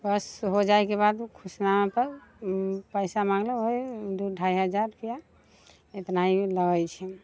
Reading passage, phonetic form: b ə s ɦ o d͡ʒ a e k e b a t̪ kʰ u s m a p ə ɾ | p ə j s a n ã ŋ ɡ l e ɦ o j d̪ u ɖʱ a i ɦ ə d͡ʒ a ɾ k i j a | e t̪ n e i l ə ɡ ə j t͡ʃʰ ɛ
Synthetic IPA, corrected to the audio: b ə s ɦ o d͡ʒ a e k e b a d̪ kʰ u s n a p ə ɾ | p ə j s a m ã ŋ ɡ l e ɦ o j d̪ u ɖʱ a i ɦ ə d͡ʒ a ɾ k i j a | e t̪ n a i l ə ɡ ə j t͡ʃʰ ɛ